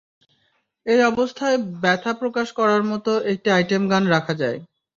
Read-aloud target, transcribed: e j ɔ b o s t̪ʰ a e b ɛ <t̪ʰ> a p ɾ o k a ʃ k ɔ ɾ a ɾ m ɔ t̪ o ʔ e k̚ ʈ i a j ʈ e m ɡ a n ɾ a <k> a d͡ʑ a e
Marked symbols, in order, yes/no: yes, no

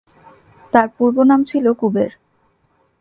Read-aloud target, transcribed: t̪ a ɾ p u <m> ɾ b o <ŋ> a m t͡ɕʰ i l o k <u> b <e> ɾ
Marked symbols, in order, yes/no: no, no, yes, yes

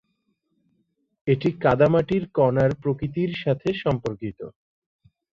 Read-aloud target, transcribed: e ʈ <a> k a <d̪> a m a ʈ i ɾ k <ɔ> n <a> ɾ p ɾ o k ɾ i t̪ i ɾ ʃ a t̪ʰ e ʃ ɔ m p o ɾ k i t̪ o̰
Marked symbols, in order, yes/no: no, yes, yes, yes

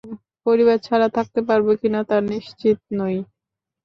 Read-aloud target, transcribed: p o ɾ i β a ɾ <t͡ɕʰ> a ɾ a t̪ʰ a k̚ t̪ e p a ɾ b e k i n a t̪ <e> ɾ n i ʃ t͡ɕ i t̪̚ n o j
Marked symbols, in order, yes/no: yes, no

